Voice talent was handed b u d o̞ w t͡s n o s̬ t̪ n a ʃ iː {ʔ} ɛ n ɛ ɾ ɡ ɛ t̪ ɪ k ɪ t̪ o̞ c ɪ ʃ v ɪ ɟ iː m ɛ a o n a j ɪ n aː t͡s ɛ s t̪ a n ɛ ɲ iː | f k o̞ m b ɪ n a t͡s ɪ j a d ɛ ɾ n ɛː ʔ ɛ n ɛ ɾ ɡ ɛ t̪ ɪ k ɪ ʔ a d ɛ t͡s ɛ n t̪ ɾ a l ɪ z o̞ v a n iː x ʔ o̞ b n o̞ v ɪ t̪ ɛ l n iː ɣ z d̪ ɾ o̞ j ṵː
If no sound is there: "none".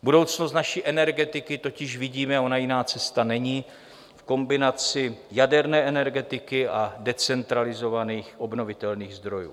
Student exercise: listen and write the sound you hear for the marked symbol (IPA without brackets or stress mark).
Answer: ʔ